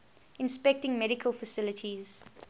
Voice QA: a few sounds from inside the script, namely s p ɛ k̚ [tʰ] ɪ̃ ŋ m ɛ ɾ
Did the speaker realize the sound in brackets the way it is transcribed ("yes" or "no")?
no